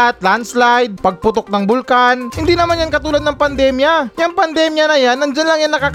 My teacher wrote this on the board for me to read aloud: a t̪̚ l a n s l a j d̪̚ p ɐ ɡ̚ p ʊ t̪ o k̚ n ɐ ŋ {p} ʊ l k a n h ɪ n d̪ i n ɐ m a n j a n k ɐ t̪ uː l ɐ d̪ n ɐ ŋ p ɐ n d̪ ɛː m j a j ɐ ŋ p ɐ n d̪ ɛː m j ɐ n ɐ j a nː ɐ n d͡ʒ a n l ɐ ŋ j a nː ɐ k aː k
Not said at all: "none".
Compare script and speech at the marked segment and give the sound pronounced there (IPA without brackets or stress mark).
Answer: b